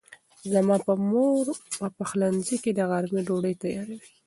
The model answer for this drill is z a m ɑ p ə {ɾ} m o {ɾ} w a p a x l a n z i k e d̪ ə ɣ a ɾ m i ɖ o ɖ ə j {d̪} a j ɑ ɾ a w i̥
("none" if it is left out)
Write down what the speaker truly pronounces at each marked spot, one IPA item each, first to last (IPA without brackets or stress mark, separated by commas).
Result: none, ɾ, t̪